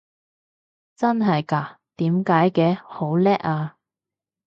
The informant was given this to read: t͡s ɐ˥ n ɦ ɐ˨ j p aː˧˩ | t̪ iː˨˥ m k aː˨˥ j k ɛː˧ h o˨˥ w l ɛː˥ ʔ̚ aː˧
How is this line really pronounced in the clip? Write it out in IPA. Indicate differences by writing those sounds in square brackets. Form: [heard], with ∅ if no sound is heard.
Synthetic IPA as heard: t͡s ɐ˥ n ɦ ɐ˨ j [k] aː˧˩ | t̪ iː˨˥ m k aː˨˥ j k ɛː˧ h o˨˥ w l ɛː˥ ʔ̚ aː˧